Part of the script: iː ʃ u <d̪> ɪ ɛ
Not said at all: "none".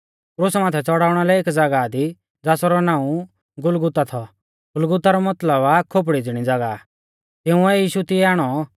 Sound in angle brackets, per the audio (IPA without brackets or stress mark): t̪